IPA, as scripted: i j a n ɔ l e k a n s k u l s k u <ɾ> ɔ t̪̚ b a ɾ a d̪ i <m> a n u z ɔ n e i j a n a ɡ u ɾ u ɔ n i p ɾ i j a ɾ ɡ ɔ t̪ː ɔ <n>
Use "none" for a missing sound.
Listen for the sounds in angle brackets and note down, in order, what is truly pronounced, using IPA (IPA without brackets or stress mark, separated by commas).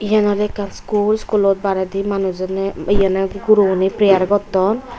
l, m, n